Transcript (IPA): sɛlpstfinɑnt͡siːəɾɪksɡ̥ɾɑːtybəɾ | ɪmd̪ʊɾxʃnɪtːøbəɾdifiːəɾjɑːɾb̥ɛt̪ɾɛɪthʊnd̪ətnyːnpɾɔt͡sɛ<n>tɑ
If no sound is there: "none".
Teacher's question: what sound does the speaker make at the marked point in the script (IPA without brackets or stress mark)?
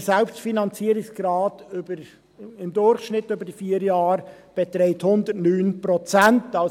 n